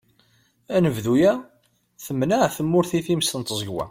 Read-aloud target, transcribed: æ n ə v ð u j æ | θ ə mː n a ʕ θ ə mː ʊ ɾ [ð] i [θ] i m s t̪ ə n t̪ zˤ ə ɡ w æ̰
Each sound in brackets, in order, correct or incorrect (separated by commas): incorrect, correct